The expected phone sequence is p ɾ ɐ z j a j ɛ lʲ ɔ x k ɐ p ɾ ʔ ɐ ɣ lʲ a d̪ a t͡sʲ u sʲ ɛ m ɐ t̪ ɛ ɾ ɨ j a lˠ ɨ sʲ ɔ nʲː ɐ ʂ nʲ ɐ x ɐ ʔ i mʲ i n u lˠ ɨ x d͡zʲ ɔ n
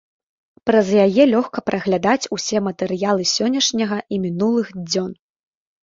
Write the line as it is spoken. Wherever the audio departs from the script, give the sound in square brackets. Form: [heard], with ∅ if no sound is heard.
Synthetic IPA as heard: p ɾ ɐ z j a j ɛ lʲ ɔ x k ɐ p ɾ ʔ ɐ ɣ lʲ a d̪ a t͡sʲ u sʲ ɛ m ɐ t̪ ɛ ɾ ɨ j a lˠ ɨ sʲ ɔ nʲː ɐ ʂ nʲ ɐ [ɣ] ɐ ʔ i mʲ i n u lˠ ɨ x d͡zʲ ɔ n